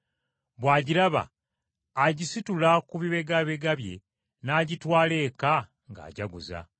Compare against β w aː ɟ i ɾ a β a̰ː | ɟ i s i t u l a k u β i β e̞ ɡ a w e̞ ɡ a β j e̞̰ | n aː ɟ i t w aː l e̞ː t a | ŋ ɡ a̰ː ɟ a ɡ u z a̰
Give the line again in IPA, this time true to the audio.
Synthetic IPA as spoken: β w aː ɟ i ɾ a β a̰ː | ɟ i s i t u l a k u β i β e̞ ɡ a β e̞ ɡ a β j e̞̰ | n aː ɟ i t w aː l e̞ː k a | ŋ ɡ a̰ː ɟ a ɡ u z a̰